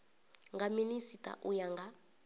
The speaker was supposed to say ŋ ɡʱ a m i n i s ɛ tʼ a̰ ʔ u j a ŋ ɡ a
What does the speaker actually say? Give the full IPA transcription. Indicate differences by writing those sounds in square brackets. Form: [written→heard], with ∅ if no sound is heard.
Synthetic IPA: ŋ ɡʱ a m i n i s [ɛ→i] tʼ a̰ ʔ u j a ŋ ɡ a